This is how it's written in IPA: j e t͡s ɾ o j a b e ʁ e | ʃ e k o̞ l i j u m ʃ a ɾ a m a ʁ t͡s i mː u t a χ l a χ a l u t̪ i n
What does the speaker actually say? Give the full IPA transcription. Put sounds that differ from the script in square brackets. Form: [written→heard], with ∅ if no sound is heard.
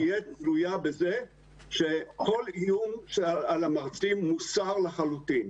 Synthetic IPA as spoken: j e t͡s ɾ [o→u] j a b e [ʁ→z] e | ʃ e k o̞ l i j u m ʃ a [ɾ→l] a m a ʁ t͡s i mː u [t→s] a [χ→ʁ] l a χ a l u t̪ i n